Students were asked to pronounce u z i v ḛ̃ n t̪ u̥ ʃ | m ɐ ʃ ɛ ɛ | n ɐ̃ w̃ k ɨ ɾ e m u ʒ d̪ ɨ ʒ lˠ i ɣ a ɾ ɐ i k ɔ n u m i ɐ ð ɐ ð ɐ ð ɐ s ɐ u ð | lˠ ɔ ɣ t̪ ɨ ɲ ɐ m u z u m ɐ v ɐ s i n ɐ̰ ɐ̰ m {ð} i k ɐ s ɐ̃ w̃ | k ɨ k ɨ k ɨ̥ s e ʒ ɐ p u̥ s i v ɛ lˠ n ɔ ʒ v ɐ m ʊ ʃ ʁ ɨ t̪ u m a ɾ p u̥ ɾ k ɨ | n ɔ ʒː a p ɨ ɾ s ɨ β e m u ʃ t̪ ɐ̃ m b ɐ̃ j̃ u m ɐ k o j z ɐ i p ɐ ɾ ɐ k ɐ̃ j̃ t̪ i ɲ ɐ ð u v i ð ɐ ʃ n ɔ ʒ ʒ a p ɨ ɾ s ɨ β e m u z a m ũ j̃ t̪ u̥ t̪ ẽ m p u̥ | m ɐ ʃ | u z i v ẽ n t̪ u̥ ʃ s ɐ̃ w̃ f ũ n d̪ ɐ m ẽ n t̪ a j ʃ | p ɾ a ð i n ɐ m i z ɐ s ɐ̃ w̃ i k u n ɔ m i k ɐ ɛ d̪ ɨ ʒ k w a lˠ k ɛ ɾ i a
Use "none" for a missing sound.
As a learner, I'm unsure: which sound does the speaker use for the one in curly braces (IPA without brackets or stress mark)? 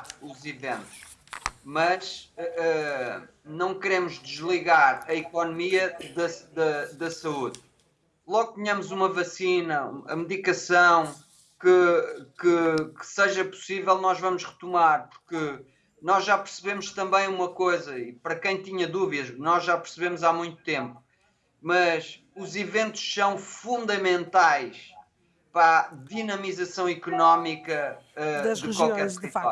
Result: ð